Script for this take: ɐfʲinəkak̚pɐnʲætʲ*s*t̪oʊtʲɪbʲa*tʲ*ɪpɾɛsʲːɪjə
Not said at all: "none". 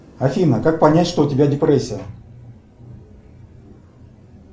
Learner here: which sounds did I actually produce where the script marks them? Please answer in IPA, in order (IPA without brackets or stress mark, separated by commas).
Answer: ʂ, dʲ